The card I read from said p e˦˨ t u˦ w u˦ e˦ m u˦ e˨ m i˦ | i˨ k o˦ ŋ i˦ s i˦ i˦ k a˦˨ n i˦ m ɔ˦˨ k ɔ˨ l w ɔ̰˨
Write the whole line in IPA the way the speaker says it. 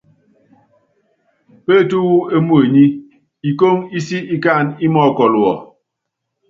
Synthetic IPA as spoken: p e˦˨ t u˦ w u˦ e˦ m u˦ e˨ ɲ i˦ | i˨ k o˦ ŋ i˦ s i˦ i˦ k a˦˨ n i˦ m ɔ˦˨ k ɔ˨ l w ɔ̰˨